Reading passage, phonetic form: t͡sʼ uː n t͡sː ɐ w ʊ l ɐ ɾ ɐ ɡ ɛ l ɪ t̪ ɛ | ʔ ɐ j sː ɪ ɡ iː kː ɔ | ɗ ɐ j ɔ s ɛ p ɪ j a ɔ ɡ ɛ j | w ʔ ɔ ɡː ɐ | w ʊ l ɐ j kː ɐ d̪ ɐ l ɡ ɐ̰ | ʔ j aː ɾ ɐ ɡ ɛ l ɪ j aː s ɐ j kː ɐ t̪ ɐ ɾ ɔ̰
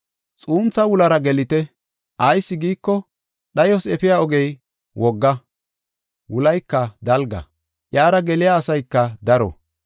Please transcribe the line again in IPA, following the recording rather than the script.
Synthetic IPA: t͡sʼ uː n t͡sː ɐ w ʊ l ɐ ɾ ɐ ɡ ɛ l ɪ t̪ ɛ | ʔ ɐ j sː ɪ ɡ iː kː ɔ | ɗ ɐ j ɔ s ɛ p ɪ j a ɔ ɡ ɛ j | w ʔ ɔ ɡː ɐ | w ʊ l ɐ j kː ɐ d̪ ɐ l ɡ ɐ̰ | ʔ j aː ɾ ɐ ɡ ɛ l ɪ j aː s ɐ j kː ɐ d̪ ɐ ɾ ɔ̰